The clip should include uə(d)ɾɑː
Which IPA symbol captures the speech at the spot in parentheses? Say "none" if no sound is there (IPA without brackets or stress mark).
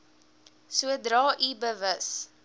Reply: d